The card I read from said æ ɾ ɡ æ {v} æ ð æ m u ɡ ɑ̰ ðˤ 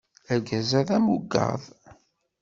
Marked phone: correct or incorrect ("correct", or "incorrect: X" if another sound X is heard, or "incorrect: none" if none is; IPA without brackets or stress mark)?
incorrect: z